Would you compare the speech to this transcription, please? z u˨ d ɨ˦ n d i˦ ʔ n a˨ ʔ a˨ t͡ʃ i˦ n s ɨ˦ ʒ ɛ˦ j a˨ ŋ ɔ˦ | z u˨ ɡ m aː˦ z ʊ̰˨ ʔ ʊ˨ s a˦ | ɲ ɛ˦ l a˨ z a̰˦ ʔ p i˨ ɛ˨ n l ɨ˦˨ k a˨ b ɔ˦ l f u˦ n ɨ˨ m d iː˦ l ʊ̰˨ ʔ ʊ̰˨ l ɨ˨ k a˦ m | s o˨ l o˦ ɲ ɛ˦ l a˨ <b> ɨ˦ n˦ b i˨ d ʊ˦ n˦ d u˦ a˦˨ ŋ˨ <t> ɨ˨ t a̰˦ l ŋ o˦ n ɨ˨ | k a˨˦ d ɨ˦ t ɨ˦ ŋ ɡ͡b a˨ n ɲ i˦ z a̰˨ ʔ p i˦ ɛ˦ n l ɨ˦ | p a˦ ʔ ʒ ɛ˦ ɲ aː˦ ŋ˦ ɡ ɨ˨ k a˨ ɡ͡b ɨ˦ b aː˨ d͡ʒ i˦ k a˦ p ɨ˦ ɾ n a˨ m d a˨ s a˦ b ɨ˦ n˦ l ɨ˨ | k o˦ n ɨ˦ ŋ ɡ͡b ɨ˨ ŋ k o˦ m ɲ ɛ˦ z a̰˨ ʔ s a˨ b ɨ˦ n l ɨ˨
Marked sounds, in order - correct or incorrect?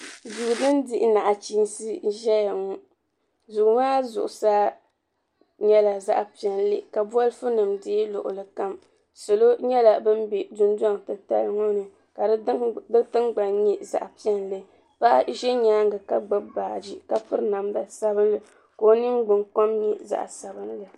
correct, correct

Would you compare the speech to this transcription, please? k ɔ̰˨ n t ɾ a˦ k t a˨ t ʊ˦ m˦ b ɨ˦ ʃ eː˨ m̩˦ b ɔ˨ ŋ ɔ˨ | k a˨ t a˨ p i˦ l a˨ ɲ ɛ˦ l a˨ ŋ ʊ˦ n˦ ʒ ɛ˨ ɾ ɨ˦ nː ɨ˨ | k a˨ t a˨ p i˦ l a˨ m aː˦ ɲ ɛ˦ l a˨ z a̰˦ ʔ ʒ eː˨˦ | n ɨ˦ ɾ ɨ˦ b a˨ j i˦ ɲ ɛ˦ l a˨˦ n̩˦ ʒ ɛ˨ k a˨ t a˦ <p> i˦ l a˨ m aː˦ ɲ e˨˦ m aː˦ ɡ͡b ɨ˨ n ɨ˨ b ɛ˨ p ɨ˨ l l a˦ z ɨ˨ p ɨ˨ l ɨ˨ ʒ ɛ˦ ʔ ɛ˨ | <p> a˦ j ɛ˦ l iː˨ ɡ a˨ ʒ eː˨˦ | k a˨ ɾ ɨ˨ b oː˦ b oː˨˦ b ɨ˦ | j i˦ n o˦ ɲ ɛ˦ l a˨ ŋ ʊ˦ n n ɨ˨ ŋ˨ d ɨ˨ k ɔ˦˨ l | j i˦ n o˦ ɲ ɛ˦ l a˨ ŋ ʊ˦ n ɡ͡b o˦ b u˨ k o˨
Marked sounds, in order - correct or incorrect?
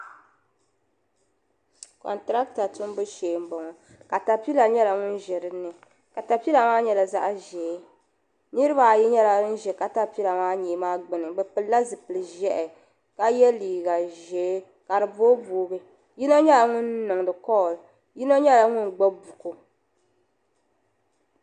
correct, incorrect: k

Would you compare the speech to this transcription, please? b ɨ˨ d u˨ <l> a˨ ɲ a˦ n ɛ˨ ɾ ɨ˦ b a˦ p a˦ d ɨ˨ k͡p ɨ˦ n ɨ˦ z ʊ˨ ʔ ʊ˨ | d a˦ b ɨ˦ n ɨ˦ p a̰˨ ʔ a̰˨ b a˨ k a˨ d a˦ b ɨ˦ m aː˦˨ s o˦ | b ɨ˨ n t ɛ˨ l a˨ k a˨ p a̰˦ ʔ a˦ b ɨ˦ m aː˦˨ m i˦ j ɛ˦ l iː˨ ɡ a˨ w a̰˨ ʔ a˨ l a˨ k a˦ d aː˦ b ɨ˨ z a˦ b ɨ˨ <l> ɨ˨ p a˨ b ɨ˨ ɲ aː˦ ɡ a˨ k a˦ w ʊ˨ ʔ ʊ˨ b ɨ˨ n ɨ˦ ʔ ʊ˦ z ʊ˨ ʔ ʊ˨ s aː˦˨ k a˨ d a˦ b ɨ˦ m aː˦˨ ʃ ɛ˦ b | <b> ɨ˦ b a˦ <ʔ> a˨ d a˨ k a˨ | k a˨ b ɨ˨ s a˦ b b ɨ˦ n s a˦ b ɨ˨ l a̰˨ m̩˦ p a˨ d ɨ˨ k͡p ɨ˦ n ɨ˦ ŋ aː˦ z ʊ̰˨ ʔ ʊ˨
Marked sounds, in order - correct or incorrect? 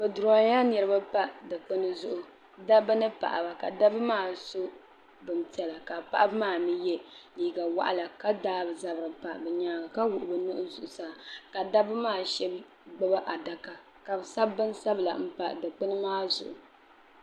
incorrect: ɾ, incorrect: ɾ, incorrect: ɡ͡b, correct

